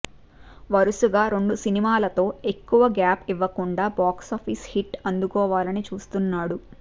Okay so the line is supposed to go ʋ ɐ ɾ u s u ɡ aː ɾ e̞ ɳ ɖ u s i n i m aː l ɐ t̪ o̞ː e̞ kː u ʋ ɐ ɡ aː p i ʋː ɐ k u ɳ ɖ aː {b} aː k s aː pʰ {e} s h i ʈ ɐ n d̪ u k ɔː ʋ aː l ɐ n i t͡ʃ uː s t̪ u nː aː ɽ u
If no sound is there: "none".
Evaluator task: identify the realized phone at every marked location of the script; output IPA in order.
b, i

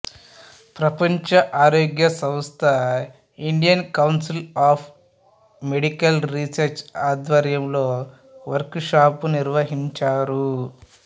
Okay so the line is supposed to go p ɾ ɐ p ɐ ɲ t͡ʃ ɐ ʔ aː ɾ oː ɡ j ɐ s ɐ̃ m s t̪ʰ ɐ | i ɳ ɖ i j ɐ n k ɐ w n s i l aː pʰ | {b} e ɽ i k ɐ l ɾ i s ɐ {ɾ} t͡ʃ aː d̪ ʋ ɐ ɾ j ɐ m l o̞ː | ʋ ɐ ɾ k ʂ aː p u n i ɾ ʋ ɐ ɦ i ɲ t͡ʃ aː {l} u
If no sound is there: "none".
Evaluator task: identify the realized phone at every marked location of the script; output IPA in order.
m, ɾ, ɾ

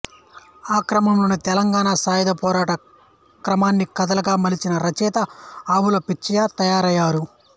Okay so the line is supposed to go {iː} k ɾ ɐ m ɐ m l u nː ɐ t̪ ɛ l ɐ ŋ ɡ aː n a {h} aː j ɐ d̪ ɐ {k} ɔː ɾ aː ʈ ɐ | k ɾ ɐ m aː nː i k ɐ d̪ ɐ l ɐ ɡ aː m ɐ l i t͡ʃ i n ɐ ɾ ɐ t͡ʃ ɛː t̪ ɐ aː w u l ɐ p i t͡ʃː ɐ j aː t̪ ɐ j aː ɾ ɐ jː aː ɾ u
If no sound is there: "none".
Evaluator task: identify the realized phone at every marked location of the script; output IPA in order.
aː, s, p

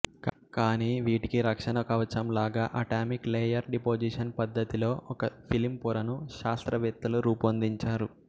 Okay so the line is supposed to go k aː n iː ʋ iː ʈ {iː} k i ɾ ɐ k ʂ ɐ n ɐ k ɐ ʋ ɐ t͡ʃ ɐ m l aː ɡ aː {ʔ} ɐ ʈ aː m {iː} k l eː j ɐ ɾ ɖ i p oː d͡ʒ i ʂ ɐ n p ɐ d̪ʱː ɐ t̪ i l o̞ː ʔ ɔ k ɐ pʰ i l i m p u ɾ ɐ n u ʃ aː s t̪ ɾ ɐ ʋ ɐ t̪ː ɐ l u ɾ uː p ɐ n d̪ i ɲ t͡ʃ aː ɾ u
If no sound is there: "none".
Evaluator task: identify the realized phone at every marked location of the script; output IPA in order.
i, ʔ, i

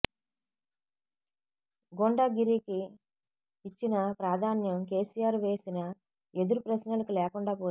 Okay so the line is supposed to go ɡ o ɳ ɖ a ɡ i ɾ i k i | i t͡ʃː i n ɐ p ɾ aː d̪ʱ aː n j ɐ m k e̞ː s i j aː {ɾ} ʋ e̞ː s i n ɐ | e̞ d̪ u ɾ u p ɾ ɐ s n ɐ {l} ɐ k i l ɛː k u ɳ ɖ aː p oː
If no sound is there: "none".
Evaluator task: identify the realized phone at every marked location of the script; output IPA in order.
ɾ, l

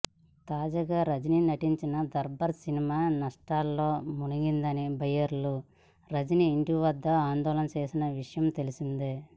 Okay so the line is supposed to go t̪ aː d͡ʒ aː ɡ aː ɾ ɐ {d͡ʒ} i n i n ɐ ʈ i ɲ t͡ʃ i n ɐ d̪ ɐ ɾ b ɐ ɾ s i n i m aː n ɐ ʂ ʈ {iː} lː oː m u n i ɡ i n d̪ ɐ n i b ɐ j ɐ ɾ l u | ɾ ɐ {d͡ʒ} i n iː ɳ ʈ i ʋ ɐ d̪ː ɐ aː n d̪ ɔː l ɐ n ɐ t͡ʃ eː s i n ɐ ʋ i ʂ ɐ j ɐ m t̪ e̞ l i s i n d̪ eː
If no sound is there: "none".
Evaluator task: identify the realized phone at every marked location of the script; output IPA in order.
d͡ʒ, aː, d͡ʒ

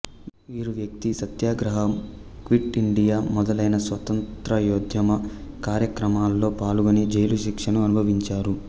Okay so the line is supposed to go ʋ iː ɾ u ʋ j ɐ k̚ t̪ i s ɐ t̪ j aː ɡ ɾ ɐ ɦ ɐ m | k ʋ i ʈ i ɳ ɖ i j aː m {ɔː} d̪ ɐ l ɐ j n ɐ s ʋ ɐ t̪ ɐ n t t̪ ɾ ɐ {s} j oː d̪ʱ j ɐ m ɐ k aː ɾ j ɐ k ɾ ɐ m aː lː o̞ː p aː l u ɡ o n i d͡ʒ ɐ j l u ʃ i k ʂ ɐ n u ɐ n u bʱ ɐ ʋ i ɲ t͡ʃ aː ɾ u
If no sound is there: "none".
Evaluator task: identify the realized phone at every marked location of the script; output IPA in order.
ɔ, none

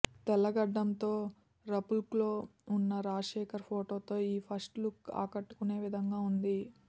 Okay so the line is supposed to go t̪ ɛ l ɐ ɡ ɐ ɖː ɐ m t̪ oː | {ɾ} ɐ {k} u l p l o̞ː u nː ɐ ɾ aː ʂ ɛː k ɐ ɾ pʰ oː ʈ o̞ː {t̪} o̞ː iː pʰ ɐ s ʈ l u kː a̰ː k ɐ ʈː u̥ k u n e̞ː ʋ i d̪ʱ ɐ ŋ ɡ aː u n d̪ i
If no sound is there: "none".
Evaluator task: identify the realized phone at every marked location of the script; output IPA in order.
ɾ, p, t̪

